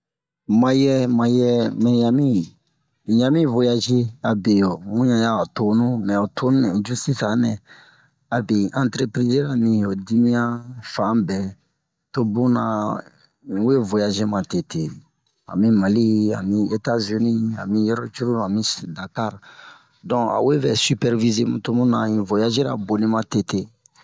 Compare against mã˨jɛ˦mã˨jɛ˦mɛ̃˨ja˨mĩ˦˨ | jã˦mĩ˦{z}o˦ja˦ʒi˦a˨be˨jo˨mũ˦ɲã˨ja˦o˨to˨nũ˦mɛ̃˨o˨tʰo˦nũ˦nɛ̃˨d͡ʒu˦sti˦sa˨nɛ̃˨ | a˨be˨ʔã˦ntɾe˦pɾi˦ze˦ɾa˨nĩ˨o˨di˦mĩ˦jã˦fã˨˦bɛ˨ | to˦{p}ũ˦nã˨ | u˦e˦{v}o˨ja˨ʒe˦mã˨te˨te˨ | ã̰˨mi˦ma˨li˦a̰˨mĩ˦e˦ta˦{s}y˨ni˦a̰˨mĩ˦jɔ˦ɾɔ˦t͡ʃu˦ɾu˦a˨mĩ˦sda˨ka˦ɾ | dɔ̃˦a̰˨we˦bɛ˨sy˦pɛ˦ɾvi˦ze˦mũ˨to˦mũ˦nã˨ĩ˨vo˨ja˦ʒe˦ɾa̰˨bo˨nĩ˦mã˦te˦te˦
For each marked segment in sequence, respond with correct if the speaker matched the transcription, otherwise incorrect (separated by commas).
incorrect, incorrect, correct, incorrect